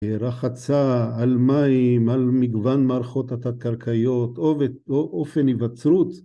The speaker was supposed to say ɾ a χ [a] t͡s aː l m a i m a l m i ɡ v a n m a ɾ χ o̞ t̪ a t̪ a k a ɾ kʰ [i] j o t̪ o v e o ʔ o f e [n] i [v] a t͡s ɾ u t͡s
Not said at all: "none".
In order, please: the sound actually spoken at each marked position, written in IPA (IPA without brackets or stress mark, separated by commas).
a, a, n, v